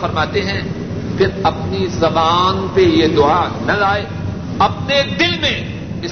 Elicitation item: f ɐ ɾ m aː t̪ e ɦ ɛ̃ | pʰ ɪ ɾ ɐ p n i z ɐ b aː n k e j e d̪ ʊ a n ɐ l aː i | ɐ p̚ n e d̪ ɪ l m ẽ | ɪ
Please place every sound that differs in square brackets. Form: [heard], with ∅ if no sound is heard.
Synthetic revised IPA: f ɐ ɾ m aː t̪ e ɦ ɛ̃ | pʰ ɪ ɾ ɐ p n i z ɐ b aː n [p] e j e d̪ ʊ a n ɐ l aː [e] | ɐ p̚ n e d̪ ɪ l m ẽ | ɪ